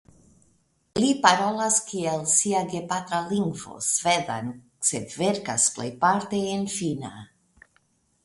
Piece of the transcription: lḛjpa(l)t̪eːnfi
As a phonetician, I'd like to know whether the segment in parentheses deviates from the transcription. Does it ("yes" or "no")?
yes